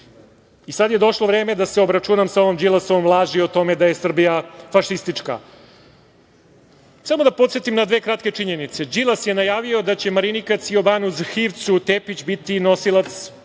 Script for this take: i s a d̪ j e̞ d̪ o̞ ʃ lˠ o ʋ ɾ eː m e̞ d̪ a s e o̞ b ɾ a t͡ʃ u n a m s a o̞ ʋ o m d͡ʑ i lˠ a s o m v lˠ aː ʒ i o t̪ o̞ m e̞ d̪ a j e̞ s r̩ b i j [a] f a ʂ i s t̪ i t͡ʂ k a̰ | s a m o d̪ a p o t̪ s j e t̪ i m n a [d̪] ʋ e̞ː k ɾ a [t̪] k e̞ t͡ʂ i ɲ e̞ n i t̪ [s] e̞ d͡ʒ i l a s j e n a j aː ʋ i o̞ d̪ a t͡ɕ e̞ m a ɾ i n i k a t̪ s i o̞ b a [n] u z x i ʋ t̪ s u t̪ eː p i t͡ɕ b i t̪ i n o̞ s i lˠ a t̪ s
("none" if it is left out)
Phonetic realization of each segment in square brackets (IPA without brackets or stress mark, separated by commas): a, d̪, t̪, s, n